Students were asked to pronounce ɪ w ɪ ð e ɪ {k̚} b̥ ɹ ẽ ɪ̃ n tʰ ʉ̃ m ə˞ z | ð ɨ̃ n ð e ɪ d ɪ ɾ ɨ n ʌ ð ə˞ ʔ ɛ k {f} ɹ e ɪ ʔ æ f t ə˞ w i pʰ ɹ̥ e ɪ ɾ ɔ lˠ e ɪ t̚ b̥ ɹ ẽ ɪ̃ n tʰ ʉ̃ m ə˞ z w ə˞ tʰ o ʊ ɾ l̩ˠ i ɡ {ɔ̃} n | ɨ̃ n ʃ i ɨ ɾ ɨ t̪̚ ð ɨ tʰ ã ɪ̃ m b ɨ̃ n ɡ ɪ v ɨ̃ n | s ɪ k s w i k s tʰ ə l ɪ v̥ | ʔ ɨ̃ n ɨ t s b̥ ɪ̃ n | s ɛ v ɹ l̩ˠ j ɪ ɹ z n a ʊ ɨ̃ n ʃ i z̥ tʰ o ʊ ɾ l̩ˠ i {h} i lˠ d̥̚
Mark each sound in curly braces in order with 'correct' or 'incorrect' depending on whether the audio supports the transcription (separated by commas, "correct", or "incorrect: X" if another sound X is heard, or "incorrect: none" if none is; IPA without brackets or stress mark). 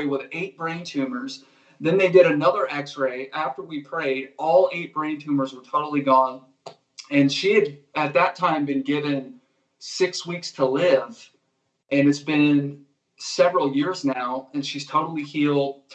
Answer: incorrect: t̚, incorrect: s, correct, correct